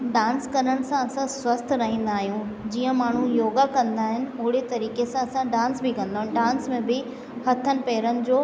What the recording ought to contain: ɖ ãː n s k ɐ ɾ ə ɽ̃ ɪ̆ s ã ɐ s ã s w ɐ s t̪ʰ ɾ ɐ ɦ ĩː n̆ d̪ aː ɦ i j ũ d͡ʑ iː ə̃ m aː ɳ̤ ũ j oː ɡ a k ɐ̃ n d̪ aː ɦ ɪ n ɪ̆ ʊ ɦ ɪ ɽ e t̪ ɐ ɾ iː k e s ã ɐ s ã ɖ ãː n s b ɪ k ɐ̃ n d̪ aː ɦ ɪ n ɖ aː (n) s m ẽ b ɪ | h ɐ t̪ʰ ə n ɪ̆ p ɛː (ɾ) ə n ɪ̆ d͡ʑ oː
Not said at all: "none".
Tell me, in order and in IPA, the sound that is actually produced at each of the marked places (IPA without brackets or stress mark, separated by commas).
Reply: n, ɾ